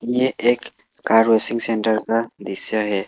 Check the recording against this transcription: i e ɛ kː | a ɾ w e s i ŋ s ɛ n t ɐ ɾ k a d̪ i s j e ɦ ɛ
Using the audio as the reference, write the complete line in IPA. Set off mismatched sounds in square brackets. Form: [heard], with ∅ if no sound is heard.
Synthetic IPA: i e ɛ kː | a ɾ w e s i ŋ s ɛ n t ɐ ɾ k a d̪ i s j [a] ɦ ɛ

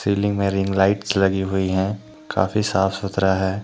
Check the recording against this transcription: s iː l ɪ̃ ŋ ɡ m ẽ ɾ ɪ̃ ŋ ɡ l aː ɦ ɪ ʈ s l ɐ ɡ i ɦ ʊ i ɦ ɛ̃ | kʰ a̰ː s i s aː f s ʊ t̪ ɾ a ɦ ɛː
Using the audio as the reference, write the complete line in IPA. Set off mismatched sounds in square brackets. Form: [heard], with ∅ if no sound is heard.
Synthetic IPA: s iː l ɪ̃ ŋ ɡ m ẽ ɾ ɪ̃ ŋ ɡ l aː [∅] ɪ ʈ s l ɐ ɡ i ɦ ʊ i ɦ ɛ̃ | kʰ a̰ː [f] i s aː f s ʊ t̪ ɾ a ɦ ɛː

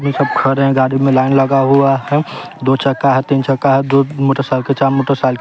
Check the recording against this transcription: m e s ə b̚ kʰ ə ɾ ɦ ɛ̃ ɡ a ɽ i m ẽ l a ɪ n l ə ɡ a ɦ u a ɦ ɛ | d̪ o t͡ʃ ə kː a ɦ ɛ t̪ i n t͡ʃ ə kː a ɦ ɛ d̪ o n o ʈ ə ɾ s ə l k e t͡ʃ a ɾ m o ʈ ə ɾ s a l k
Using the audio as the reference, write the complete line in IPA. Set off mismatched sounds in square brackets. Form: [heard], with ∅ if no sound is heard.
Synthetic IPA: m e s ə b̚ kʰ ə ɾ ɦ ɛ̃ ɡ a ɽ i m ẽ l a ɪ n l ə ɡ a ɦ u a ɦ ɛ | d̪ o t͡ʃ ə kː a ɦ ɛ t̪ i n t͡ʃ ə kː a ɦ ɛ d̪ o [m] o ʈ ə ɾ s [a] l k e t͡ʃ a ɾ m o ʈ ə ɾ s a l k

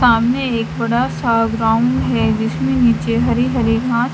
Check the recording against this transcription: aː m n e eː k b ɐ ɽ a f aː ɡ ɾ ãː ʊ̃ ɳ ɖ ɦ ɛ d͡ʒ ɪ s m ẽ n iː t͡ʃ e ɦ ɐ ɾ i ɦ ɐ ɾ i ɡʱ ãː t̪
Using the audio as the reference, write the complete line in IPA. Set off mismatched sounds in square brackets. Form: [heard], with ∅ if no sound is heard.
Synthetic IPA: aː m n e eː k b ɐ ɽ a [s] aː ɡ ɾ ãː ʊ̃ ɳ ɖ ɦ ɛ d͡ʒ ɪ s m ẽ n iː t͡ʃ e ɦ ɐ ɾ i ɦ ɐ ɾ i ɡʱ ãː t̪

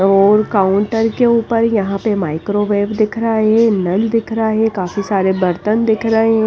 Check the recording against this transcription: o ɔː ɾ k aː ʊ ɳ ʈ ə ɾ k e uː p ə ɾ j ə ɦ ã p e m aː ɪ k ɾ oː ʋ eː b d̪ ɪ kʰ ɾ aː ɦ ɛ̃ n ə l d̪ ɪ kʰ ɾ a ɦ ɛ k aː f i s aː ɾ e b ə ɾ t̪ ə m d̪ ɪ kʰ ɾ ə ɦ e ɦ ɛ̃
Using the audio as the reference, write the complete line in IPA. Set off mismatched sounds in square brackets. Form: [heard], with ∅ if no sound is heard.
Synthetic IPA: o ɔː ɾ k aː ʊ ɳ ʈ ə ɾ k e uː p ə ɾ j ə ɦ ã p e m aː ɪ k ɾ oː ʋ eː b d̪ ɪ kʰ ɾ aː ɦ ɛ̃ n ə l d̪ ɪ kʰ ɾ a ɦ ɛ k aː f i s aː ɾ e b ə ɾ t̪ ə [n] d̪ ɪ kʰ ɾ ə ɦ e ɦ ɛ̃

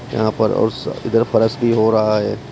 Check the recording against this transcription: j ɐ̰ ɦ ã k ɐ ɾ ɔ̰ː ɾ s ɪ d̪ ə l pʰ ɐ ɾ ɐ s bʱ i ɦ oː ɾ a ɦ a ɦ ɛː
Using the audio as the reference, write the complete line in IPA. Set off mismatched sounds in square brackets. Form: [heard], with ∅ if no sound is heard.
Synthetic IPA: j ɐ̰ ɦ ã [p] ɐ ɾ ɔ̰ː ɾ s ɪ d̪ ə [ɾ] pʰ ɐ ɾ [ə] s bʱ i ɦ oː ɾ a ɦ a ɦ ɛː

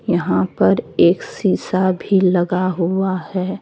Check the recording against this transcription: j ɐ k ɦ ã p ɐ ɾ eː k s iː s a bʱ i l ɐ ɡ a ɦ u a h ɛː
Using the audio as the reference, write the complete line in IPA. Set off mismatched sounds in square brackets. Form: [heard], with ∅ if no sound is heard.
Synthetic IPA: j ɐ [∅] ɦ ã p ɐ ɾ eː k s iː s a bʱ i l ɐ ɡ a ɦ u a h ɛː

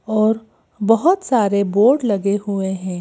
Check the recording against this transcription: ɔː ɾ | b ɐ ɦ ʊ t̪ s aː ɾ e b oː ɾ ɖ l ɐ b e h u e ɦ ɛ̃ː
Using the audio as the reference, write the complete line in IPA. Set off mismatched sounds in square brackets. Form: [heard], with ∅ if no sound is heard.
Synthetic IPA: ɔː ɾ | b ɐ ɦ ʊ t̪ s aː ɾ e b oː ɾ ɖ l ɐ [ɡ] e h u e ɦ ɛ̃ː

